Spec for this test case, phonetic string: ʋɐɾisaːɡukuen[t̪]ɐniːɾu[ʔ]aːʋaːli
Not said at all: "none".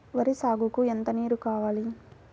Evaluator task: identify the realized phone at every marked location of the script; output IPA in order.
t̪, k

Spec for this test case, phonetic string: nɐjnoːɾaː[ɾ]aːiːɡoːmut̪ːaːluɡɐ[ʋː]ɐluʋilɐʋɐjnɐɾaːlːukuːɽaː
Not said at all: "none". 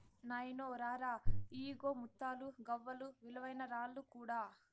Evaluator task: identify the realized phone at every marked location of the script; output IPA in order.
ɾ, ʋː

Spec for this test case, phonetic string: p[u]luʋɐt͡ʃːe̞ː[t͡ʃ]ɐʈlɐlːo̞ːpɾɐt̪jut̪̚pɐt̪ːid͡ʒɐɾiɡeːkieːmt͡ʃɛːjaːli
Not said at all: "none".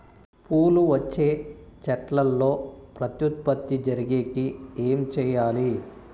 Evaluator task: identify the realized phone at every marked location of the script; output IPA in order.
uː, t͡ʃ

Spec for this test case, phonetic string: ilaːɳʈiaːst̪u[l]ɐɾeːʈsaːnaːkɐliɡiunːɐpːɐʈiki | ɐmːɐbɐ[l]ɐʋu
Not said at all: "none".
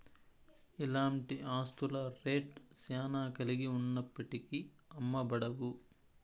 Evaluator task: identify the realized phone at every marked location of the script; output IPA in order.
l, ɽ

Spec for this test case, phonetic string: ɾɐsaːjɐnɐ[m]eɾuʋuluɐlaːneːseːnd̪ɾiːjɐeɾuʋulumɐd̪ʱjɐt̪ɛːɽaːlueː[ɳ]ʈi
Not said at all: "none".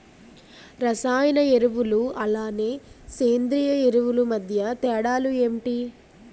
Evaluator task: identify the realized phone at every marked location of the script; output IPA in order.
none, m

